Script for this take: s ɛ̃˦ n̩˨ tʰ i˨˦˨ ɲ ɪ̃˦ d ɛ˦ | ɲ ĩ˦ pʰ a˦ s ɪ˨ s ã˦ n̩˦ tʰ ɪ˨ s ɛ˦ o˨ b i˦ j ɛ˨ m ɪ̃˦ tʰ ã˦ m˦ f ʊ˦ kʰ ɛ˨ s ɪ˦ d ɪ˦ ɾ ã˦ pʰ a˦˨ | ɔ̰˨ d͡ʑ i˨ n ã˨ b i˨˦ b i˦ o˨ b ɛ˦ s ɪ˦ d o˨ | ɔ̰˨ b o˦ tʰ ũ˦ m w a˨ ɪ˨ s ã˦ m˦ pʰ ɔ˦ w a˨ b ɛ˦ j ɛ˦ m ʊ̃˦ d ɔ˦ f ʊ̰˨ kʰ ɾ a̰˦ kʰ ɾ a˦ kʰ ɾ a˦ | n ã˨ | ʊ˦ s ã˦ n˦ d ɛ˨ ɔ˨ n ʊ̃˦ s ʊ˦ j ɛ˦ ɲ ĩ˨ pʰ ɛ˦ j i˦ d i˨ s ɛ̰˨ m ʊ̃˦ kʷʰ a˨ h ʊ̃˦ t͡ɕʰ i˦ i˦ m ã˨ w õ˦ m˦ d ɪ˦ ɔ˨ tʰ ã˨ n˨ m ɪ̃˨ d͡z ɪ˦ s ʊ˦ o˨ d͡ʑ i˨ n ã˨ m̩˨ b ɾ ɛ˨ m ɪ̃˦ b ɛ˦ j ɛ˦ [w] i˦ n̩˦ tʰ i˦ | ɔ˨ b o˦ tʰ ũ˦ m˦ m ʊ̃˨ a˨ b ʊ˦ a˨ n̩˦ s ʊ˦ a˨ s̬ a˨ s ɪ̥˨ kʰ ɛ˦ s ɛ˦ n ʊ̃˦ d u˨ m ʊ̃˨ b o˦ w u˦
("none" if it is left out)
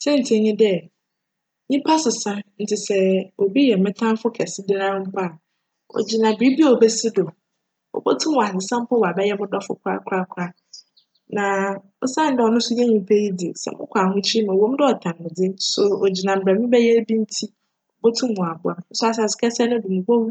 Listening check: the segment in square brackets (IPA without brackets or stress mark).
b